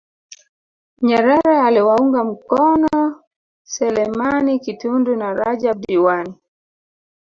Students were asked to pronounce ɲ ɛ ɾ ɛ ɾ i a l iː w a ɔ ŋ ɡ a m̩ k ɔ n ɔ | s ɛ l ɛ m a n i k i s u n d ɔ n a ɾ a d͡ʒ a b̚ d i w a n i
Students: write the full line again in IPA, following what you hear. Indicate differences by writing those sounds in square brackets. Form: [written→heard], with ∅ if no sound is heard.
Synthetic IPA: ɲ ɛ ɾ ɛ ɾ [i→ɛ] a l [iː→i] w a [ɔ→u] ŋ ɡ a m̩ k ɔ n ɔ | s ɛ l ɛ m a n i k i [s→t] u n d [ɔ→u] n a ɾ a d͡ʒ a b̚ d i w a n i